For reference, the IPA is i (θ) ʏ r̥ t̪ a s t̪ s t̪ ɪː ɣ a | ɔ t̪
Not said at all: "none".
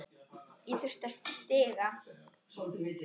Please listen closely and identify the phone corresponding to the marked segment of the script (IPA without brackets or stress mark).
θ